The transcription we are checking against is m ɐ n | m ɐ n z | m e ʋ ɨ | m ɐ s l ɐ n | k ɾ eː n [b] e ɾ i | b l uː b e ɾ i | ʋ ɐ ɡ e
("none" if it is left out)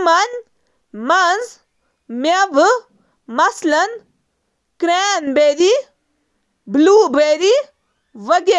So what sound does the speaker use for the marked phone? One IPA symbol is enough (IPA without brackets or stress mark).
b